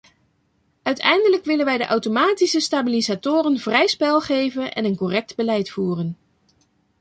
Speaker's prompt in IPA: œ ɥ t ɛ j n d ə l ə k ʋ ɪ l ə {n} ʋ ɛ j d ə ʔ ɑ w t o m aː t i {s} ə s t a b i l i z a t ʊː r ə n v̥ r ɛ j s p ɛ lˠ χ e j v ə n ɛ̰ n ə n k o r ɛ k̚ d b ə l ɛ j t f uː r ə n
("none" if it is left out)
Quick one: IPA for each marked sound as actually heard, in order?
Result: n, s

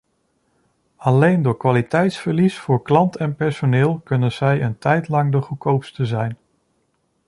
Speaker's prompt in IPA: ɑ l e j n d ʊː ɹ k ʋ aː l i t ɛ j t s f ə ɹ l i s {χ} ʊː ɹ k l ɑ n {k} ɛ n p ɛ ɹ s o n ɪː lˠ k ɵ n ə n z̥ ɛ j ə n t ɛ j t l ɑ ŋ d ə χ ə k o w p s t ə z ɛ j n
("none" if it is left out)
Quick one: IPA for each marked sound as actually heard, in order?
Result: f, t

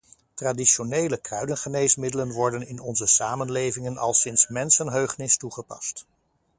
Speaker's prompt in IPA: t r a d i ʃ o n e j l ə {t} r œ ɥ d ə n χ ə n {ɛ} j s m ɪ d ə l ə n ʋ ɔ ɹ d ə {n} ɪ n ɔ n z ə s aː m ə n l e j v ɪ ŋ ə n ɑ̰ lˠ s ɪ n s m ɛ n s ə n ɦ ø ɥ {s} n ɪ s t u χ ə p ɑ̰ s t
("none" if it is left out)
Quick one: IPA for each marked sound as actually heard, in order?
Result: k, e, n, χ

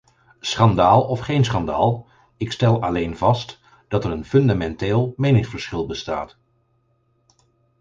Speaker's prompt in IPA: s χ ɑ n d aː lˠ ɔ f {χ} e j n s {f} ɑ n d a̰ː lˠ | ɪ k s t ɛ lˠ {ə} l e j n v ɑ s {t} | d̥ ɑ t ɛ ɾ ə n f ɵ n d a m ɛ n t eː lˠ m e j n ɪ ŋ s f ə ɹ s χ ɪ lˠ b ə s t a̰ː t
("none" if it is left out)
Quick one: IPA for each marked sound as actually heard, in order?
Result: χ, χ, ɑ, t

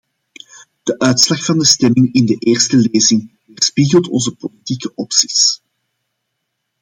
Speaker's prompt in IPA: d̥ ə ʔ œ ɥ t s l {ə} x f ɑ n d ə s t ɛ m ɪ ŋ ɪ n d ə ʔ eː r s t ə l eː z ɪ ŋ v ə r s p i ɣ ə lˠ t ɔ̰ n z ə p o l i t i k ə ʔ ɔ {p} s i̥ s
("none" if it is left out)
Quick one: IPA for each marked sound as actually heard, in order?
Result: ɑ, p

